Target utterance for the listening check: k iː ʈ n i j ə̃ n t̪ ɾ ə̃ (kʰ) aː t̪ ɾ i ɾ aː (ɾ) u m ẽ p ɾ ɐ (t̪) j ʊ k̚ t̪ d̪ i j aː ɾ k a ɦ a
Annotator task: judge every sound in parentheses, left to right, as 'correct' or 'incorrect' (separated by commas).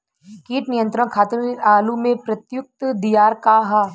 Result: correct, incorrect, correct